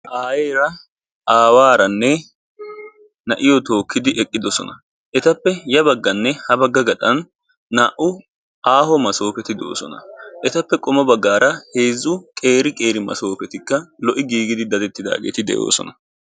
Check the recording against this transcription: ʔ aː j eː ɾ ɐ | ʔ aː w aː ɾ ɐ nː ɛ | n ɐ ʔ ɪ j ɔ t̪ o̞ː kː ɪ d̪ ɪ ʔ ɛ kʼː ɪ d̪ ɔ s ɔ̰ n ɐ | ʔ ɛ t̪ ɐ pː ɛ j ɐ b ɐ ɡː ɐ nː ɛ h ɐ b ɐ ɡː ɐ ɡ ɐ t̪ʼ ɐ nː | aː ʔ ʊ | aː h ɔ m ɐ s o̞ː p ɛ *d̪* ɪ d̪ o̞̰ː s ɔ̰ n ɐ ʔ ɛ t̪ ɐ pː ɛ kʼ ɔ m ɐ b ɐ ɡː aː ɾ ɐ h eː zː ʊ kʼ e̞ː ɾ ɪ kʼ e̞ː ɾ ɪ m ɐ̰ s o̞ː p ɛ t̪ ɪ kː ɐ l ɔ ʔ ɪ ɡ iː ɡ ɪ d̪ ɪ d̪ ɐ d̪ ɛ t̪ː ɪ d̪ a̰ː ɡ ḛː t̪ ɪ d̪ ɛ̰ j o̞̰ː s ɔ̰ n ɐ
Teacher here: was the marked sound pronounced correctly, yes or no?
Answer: no